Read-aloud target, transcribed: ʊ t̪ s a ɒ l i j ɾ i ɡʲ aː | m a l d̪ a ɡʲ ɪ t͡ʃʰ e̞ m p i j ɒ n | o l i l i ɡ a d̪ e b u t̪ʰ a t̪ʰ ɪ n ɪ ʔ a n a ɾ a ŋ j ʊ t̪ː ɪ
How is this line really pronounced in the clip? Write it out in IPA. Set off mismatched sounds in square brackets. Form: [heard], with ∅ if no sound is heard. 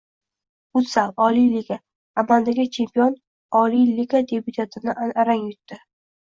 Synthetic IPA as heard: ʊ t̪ s a ɒ l i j [l] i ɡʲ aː | m a l d̪ a ɡʲ ɪ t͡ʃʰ e̞ m p i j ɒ n | [ɒ] l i l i ɡ a d̪ e b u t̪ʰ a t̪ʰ ɪ n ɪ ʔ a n a ɾ a ŋ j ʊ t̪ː ɪ